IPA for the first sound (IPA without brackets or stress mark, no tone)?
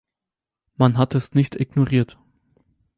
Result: m